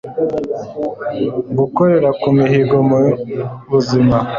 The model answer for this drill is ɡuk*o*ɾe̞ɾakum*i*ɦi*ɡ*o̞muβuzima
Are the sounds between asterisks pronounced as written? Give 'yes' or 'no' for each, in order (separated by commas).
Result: yes, yes, yes